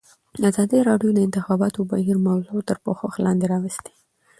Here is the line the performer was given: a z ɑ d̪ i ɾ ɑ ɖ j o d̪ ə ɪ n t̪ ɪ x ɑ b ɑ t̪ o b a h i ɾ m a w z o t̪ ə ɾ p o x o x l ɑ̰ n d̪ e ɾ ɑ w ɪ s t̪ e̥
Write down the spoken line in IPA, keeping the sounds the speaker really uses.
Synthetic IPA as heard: a z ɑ d̪ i ɾ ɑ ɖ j o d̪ ə ɪ n t̪ ɪ x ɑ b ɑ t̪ o b a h i ɾ m a w z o t̪ ə ɾ p o x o x l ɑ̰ n d̪ e ɾ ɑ w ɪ s t̪ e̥